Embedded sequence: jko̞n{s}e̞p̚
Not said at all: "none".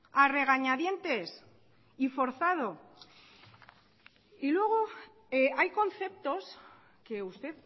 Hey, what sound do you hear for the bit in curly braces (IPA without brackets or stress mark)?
θ